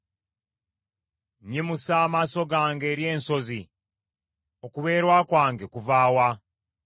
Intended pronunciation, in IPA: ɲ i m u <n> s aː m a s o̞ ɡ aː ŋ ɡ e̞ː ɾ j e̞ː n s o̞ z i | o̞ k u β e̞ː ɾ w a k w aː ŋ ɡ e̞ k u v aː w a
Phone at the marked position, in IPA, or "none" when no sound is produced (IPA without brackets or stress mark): none